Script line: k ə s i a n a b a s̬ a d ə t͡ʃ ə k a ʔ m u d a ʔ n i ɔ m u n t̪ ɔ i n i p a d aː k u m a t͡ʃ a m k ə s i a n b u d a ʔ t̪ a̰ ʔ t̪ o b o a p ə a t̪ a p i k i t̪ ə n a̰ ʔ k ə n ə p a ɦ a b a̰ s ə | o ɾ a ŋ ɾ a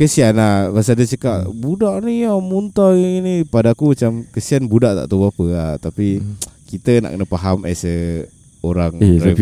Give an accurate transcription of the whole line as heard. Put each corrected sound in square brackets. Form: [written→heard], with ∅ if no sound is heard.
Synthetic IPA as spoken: k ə s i a n a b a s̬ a d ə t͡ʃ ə k a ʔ [m→b] u d a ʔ n i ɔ m u n t̪ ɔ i n i p a d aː k u m a t͡ʃ a m k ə s i a n b u d a ʔ t̪ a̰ ʔ t̪ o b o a p ə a t̪ a p i k i t̪ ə n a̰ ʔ k ə n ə p a ɦ a [b→m] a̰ s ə | o ɾ a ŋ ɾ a